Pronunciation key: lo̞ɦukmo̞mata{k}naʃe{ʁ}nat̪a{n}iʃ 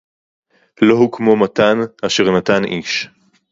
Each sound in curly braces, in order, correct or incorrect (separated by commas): incorrect, correct, correct